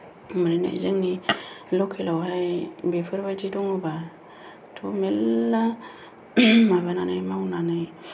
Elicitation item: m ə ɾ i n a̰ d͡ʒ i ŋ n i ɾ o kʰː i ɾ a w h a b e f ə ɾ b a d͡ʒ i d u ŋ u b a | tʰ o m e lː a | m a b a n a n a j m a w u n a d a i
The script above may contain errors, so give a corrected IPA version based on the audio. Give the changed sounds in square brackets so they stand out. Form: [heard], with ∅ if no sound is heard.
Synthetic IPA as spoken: m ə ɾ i n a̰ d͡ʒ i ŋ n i [l] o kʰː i [l] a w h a b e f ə ɾ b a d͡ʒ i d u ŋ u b a | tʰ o m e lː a | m a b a n a n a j m a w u n a [n] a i